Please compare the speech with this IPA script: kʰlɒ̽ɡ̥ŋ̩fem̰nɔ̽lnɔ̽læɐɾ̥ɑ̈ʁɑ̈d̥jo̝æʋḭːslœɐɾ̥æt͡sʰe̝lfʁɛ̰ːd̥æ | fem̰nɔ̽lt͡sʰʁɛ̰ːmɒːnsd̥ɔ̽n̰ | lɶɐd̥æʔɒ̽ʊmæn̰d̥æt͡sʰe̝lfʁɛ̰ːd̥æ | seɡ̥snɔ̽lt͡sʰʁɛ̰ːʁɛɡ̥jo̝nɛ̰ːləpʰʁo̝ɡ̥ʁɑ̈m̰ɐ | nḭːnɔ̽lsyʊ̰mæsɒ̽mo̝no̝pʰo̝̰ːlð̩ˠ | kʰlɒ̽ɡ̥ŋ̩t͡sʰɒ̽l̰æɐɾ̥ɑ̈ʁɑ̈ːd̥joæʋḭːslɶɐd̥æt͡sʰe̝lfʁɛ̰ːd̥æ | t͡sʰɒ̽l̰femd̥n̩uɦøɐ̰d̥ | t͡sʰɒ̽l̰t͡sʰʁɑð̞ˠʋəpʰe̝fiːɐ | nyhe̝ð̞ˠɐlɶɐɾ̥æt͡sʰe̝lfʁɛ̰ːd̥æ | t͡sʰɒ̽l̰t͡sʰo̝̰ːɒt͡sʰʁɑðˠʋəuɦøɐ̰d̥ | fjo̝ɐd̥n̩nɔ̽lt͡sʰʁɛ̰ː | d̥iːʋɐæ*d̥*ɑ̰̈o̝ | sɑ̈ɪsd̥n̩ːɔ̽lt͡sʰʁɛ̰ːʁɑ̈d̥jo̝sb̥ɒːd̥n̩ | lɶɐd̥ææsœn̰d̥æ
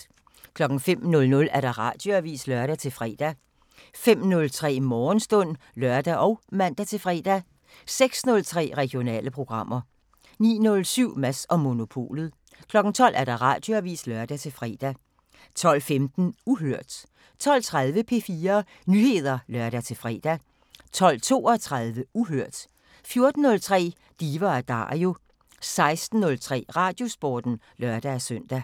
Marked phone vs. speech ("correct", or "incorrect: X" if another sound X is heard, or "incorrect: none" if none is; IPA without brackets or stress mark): correct